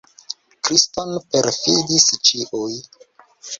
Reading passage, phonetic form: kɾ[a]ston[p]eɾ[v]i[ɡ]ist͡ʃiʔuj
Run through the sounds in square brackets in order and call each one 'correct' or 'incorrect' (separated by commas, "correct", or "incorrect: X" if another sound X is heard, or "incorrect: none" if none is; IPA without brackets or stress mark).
incorrect: i, correct, incorrect: f, incorrect: d